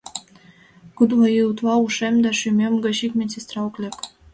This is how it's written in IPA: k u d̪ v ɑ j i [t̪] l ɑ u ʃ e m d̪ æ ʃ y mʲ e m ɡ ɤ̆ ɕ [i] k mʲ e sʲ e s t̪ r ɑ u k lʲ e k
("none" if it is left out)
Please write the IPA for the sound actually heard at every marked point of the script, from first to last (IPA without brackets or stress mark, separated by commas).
t̪, i